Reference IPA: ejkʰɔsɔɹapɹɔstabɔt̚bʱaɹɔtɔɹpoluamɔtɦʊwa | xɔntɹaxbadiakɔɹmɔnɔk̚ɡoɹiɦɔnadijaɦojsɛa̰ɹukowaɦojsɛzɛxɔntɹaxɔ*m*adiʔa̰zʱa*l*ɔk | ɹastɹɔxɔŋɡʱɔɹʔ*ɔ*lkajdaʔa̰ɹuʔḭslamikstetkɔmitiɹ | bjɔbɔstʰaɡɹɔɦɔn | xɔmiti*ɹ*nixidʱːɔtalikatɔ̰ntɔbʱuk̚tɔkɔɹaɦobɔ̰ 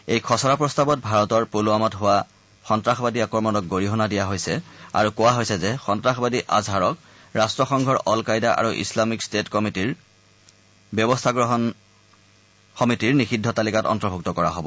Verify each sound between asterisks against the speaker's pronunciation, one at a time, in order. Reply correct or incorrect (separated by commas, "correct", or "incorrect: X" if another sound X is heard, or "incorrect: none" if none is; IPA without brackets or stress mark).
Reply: incorrect: b, incorrect: ɹ, correct, correct